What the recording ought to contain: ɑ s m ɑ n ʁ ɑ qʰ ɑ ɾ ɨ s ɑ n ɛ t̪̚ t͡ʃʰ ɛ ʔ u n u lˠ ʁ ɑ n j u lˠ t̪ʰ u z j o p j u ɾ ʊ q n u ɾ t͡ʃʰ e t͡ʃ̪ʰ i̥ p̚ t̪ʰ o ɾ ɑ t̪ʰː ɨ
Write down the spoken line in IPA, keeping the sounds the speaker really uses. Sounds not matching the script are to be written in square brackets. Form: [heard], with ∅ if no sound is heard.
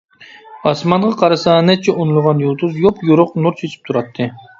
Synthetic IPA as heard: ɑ s m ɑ n ʁ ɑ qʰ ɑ ɾ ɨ s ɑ n ɛ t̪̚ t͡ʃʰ ɛ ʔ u n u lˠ ʁ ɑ n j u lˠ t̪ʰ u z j o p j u ɾ ʊ q n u ɾ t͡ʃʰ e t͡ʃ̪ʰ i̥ p̚ t̪ʰ [u] ɾ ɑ t̪ʰː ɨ